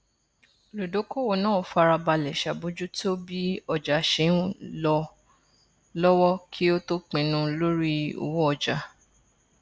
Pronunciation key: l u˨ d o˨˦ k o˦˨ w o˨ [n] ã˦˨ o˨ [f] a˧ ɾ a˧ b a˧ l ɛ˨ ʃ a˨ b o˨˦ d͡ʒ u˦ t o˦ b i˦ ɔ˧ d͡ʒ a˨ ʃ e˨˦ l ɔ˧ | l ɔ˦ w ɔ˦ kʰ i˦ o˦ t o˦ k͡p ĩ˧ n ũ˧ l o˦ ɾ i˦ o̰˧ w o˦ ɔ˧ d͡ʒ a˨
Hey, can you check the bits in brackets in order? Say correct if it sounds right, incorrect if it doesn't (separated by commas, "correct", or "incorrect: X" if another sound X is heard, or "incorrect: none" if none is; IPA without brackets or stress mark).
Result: correct, correct